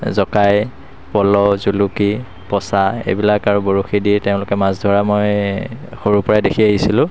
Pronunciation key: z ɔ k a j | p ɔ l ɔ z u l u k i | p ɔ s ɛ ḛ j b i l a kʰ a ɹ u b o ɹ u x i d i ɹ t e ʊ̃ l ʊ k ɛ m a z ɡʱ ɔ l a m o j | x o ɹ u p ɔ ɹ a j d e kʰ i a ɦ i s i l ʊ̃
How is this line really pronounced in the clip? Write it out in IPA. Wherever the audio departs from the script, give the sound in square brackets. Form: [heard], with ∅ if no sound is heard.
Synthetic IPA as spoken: z ɔ k a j | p ɔ l ɔ z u l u k i | p ɔ s [a] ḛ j b i l a [k] a ɹ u b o ɹ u x i d i ɹ t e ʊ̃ l ʊ k ɛ m a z [dʱ] ɔ [ɹ] a m o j | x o ɹ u p ɔ ɹ a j d e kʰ i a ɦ i s i l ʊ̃